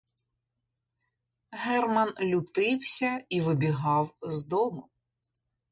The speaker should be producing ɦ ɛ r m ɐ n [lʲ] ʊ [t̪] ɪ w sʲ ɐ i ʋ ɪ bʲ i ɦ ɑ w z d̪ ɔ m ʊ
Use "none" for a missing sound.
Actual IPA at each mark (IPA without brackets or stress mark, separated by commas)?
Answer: lʲ, t̪